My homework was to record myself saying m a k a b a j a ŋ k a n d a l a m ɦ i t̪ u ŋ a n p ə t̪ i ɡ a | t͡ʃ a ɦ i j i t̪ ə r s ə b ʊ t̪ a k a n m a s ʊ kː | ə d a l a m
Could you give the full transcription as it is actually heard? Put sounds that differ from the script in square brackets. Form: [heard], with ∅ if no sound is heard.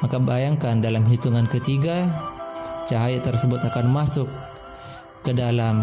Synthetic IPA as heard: m a k a b a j a ŋ k a n d a l a m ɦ i t̪ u ŋ a n [k] ə t̪ i ɡ a | t͡ʃ a ɦ [a] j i t̪ ə r s ə b ʊ t̪ a k a n m a s ʊ kː | ə d a l a m